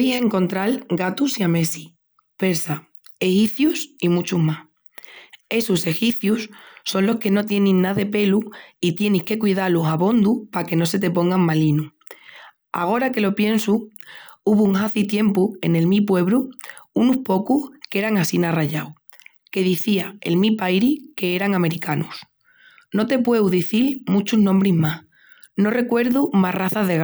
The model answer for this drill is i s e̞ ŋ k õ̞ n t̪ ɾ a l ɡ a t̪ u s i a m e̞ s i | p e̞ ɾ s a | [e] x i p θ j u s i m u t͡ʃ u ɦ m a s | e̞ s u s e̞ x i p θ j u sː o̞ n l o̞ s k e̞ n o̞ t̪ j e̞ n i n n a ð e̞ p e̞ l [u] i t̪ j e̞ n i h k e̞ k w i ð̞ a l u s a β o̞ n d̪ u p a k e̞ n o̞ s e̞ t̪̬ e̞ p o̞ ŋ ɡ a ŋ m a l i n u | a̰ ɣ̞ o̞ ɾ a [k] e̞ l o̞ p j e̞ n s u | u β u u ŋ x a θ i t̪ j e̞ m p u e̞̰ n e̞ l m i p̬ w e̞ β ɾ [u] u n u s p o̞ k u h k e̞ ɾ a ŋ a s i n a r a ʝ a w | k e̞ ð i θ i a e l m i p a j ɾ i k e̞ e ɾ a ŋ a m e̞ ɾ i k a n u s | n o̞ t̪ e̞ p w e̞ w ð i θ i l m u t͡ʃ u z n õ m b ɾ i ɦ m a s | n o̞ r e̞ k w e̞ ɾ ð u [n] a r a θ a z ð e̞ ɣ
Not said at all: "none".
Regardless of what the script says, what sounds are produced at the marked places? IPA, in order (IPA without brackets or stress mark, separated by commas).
e, u, k, u, m